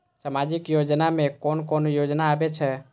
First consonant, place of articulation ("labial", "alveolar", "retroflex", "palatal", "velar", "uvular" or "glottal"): alveolar